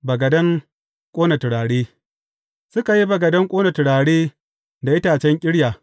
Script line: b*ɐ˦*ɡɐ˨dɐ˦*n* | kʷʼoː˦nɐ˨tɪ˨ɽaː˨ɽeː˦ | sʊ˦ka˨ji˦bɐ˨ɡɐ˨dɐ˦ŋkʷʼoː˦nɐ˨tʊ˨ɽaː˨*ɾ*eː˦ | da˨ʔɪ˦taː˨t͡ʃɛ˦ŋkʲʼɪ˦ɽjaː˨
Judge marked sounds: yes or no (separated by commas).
no, no, no